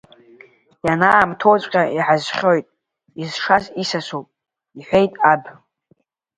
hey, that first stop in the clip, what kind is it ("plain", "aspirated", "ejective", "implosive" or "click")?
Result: aspirated